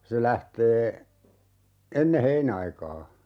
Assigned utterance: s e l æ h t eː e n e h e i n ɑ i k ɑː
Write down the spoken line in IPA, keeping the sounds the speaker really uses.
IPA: s e l æ h t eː e nː e h e i n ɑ i k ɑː